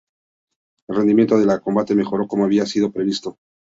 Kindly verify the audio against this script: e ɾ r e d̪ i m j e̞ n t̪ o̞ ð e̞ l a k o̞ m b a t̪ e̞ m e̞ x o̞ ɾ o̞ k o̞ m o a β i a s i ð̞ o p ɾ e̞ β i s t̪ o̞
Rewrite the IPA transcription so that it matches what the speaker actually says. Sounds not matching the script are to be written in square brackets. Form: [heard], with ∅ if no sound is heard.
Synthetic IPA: e [l] r e d̪ i m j e̞ n t̪ o̞ ð e̞ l a k o̞ m b a t̪ e̞ m e̞ x o̞ ɾ o̞ k o̞ m o a β i a s i ð̞ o p ɾ e̞ β i s t̪ o̞